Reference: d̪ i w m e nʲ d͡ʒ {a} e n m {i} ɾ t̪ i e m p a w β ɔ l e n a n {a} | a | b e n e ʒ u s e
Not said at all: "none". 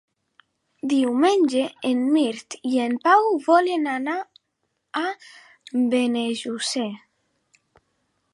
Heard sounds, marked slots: e, i, a

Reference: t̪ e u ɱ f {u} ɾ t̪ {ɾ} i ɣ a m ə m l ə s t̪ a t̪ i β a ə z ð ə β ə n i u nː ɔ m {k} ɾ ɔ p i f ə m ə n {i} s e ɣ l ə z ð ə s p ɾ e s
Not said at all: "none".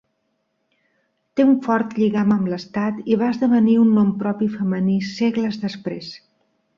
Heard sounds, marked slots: ɔ, ʎ, p, i

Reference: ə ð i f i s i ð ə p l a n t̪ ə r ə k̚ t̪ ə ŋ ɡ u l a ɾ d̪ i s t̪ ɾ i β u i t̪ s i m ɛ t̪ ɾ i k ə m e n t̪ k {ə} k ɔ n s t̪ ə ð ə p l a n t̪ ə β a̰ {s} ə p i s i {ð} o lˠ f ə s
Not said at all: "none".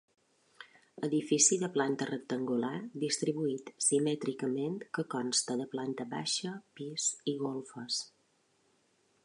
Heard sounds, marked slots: ə, ʃ, ɣ

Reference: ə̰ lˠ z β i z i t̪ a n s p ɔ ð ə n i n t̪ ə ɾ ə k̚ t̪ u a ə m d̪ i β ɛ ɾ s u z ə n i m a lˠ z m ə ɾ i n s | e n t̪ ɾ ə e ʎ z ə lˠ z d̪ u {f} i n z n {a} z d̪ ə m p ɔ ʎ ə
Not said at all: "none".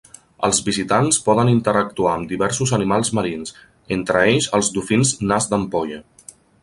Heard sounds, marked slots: f, a

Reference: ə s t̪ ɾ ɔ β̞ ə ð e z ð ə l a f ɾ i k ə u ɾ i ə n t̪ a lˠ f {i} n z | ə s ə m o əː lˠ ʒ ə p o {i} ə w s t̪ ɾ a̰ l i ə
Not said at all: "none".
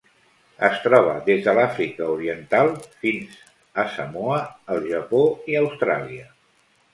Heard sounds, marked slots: i, i

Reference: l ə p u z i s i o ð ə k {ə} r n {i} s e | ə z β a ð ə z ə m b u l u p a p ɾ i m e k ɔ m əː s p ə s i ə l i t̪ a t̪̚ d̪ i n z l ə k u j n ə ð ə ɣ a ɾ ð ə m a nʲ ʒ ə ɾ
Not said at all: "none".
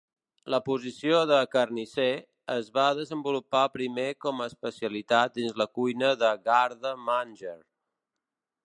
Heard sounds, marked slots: ə, i

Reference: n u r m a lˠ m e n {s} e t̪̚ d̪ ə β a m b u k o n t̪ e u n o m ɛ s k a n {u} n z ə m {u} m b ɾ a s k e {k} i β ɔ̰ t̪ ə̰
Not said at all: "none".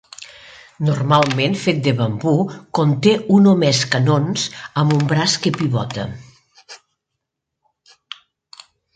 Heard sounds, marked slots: f, o, u, p

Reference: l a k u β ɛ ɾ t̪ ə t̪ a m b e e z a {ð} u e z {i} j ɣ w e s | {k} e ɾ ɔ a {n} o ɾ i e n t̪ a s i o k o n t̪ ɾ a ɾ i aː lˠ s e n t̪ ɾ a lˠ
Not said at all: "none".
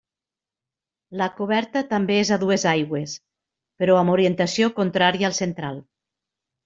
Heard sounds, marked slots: ð, a, p, m

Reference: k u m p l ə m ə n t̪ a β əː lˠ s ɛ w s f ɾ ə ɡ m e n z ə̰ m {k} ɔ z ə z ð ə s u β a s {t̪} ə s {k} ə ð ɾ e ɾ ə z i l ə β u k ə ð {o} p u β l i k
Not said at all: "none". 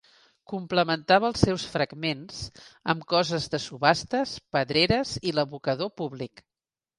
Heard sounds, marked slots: k, t̪, p, o

